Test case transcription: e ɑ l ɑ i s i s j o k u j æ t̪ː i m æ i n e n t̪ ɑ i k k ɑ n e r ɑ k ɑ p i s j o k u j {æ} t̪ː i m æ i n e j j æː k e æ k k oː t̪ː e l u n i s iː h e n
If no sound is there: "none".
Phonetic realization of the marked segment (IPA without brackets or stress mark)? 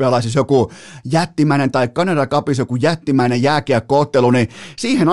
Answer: æ